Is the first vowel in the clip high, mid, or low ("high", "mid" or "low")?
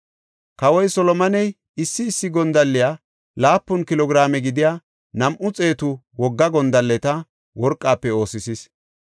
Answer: low